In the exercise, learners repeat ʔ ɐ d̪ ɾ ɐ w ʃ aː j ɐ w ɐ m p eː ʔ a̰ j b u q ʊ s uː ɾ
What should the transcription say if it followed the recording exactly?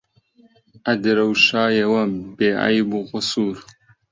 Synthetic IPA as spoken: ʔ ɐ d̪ ɾ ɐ w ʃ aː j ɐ w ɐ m b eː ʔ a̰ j b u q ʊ s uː ɾ